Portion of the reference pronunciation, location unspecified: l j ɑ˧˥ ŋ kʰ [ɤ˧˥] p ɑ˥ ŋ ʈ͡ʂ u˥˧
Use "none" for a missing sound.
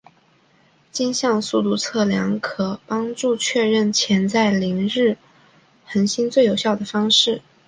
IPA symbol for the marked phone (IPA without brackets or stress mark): ɤ˨˩